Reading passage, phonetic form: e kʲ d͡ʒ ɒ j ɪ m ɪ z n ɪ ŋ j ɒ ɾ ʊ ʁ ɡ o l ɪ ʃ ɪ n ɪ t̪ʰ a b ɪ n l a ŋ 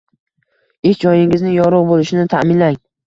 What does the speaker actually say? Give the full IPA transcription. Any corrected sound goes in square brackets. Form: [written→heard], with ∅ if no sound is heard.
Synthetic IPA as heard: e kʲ d͡ʒ ɒ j ɪ [m→ŋ] ɪ z n ɪ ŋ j ɒ ɾ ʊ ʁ [ɡ→b] o l ɪ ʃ ɪ n ɪ t̪ʰ a [b→m] ɪ n l a ŋ